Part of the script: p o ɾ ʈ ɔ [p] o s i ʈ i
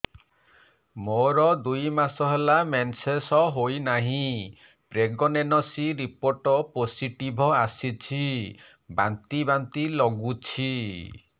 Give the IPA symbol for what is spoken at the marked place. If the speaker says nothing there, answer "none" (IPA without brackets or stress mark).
p